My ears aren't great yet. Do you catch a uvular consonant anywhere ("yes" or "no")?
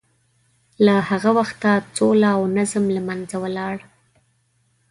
no